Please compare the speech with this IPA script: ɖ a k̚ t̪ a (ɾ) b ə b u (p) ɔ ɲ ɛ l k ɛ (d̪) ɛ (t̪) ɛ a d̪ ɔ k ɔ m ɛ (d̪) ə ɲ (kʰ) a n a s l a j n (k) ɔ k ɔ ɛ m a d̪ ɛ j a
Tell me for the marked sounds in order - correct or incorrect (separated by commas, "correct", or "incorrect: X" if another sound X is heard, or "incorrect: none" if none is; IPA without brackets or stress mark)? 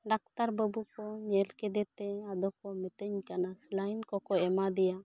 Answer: correct, incorrect: k, correct, correct, incorrect: t̪, incorrect: k, correct